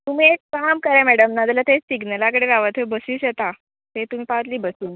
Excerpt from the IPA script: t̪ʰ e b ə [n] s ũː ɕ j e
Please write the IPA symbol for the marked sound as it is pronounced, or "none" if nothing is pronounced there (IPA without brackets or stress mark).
none